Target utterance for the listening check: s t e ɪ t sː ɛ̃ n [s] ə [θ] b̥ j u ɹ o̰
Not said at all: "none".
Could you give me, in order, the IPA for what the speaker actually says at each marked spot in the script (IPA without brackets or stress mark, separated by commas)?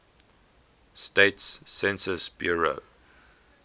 s, s